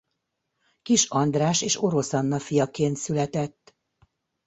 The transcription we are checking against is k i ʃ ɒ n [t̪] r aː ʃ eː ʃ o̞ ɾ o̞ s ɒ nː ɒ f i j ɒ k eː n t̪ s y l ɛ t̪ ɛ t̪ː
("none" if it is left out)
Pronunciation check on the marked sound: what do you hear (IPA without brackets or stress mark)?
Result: d̪